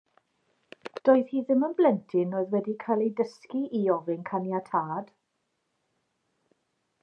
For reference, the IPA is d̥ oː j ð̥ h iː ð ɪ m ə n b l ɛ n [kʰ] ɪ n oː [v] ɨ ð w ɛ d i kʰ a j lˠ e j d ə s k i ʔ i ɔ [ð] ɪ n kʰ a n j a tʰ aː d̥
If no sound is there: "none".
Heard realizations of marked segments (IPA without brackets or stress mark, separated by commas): tʰ, none, v